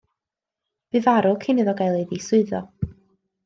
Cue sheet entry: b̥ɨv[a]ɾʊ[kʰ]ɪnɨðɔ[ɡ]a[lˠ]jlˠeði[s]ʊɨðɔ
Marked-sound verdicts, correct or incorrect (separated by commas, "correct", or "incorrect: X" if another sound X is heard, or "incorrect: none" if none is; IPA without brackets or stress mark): correct, correct, correct, incorrect: none, correct